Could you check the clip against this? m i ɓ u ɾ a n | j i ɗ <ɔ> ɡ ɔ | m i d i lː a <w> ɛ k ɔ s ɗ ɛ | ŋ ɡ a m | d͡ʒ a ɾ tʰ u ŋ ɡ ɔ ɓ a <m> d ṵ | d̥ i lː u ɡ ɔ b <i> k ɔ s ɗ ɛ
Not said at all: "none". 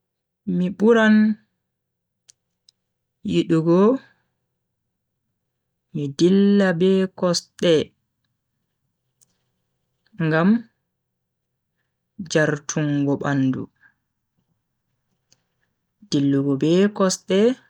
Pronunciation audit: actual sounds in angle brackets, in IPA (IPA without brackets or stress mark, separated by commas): u, b, n, ɛ